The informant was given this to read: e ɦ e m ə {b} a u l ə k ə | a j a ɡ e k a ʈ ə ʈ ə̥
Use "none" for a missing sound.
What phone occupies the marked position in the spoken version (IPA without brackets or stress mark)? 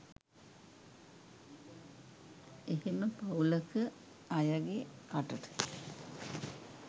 p